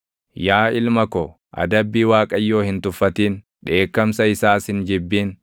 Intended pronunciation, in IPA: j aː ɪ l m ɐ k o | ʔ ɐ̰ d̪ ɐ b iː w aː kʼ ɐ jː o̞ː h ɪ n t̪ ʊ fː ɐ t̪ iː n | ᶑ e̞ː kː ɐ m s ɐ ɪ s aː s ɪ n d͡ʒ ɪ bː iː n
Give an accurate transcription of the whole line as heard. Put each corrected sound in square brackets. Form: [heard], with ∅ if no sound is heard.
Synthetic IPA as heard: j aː ɪ l m ɐ k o | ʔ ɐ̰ d̪ ɐ [bː] iː w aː kʼ ɐ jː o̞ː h ɪ n t̪ ʊ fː ɐ t̪ iː n | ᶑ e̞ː kː ɐ m s ɐ ɪ s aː s ɪ n d͡ʒ ɪ bː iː n